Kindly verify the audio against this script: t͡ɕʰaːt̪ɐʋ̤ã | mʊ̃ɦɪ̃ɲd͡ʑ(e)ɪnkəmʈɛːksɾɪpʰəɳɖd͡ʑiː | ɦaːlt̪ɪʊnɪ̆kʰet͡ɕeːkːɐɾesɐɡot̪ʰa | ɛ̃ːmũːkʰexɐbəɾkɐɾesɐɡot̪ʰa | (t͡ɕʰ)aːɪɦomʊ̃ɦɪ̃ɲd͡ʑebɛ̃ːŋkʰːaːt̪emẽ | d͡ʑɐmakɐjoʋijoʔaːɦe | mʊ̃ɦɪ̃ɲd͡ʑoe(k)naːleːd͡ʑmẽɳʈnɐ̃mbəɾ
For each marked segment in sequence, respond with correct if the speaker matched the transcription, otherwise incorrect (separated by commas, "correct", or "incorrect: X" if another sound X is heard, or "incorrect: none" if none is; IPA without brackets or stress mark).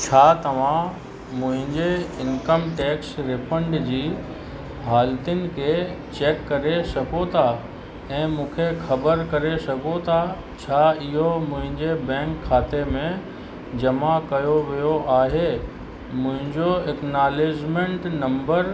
correct, correct, correct